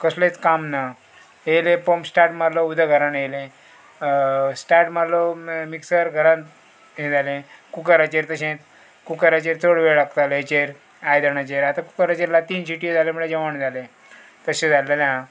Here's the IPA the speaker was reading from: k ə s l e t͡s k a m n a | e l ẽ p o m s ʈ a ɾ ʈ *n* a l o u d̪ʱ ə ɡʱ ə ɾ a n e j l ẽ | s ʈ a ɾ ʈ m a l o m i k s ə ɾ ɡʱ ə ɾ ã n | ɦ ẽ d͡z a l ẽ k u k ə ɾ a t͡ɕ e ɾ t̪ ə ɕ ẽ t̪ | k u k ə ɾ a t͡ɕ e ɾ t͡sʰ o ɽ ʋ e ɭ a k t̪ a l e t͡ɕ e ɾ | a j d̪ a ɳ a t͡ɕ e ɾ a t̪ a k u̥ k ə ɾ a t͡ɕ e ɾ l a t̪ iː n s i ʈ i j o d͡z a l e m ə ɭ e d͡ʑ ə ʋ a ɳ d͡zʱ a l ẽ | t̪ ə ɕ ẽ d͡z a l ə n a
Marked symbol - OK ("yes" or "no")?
no